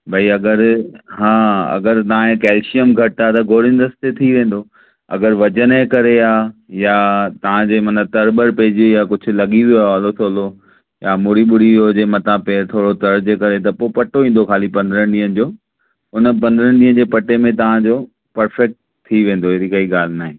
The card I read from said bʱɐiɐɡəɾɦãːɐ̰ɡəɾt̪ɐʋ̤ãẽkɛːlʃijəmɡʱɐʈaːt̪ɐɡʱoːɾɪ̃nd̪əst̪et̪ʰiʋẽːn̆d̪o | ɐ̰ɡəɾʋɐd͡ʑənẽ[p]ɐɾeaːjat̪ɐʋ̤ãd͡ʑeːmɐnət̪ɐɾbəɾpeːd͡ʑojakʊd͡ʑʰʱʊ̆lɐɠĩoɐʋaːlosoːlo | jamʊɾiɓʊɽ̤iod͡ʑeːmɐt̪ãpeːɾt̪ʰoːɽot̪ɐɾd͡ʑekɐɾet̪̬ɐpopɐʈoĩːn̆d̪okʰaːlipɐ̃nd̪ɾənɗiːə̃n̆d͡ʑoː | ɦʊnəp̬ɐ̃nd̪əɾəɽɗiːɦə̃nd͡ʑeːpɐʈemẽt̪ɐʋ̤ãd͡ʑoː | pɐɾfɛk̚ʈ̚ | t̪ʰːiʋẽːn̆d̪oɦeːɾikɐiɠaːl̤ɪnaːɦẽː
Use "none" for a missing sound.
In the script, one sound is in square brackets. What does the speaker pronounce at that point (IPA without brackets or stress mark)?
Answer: k